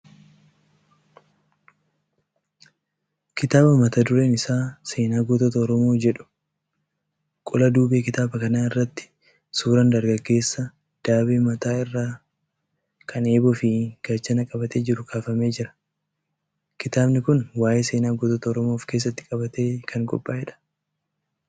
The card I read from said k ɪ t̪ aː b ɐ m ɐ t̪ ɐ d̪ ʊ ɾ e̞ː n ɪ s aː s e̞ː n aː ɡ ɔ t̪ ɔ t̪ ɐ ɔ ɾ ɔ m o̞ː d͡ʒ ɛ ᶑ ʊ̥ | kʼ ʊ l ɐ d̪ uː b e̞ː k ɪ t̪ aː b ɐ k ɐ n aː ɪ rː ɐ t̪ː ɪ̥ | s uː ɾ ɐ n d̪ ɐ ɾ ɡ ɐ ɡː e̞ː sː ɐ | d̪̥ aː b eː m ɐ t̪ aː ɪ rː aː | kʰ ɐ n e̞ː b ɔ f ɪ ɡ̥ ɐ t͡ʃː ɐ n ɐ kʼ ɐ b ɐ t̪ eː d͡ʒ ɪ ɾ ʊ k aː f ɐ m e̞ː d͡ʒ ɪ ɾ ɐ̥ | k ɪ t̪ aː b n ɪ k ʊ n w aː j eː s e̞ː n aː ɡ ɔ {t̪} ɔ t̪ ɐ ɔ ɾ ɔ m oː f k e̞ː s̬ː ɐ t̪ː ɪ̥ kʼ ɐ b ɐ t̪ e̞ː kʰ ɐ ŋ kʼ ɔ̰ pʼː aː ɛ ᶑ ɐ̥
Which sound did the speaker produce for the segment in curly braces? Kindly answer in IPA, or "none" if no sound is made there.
t̪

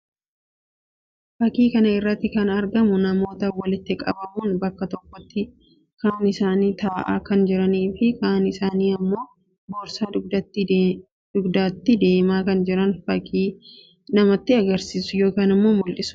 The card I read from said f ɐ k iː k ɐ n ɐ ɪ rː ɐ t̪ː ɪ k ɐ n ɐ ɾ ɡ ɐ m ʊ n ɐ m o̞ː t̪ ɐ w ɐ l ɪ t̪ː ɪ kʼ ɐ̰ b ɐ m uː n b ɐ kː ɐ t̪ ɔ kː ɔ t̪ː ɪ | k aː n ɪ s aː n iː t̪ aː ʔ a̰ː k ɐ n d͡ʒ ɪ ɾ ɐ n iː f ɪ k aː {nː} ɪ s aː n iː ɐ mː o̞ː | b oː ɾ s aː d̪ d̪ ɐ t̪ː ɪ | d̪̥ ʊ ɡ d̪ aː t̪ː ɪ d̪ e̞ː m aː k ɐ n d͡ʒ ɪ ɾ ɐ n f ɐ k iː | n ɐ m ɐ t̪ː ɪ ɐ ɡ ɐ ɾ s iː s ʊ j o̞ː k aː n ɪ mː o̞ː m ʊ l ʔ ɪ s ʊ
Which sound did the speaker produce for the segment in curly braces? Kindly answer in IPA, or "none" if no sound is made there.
n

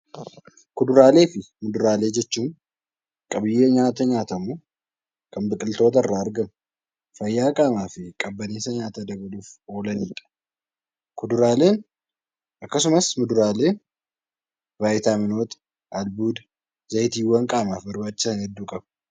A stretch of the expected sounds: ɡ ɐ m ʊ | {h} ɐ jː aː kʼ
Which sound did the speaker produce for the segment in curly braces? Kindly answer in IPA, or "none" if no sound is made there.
f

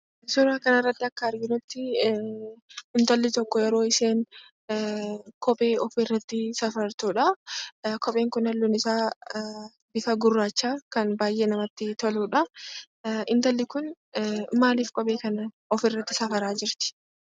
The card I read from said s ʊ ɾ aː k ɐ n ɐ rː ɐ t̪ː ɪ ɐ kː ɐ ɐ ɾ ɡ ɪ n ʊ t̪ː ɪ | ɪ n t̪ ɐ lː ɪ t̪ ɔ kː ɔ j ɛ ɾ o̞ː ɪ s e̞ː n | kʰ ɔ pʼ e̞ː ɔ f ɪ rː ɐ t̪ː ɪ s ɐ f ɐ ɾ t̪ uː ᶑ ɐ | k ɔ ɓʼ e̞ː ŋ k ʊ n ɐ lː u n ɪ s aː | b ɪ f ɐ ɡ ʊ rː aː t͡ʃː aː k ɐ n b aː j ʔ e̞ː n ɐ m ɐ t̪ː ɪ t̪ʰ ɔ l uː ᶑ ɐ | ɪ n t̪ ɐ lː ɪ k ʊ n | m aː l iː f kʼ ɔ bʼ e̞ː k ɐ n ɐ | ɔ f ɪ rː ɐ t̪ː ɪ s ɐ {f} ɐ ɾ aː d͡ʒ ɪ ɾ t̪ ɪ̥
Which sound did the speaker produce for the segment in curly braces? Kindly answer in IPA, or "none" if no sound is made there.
f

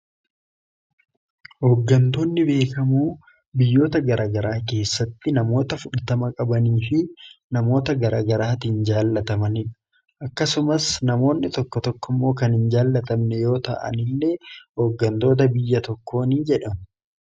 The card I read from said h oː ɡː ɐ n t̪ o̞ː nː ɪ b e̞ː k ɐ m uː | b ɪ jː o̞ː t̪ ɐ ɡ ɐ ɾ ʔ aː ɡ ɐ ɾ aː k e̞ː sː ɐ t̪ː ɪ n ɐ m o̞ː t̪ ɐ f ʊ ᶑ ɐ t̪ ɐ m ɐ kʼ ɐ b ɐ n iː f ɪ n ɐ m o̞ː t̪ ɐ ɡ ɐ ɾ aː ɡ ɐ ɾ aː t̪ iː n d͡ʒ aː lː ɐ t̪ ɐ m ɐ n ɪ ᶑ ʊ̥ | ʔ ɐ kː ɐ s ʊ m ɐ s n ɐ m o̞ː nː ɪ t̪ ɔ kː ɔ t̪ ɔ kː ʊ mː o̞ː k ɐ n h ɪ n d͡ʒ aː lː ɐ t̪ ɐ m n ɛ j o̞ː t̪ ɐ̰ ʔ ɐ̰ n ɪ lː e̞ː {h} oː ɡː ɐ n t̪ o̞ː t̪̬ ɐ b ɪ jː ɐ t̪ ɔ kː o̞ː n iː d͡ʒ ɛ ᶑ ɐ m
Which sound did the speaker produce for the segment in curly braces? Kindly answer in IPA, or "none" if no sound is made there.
h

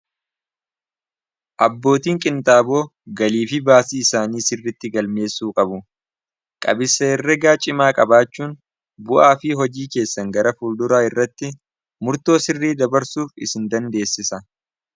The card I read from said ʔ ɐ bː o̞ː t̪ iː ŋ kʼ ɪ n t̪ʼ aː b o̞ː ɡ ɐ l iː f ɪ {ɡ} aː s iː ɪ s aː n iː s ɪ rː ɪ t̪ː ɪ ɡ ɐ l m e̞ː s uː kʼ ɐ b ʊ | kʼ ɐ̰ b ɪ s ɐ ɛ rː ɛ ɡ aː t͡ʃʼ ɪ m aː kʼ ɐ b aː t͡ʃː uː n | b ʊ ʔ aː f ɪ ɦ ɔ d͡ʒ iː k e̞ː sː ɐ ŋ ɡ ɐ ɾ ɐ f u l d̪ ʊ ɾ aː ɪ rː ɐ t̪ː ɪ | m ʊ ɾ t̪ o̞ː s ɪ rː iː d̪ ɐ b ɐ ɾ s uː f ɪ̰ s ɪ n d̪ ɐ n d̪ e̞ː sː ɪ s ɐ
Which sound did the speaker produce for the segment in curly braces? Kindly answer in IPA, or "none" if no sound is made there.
b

